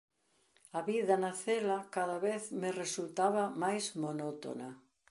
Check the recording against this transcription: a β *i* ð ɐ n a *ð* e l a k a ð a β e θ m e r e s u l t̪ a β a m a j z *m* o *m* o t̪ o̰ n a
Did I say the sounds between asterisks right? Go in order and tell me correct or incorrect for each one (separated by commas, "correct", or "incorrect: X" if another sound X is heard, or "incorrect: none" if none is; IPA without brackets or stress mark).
correct, incorrect: θ, correct, incorrect: n